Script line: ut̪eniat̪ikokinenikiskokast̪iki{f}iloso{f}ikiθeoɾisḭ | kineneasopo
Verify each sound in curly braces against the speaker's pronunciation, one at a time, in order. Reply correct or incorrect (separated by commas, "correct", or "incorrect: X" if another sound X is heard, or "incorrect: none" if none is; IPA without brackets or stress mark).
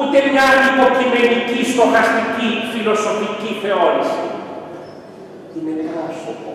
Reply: correct, correct